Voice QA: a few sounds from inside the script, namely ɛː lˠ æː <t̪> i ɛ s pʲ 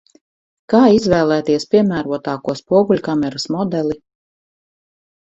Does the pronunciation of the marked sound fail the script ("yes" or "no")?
no